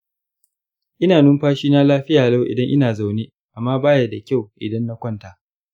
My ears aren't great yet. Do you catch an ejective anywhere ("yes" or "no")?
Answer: no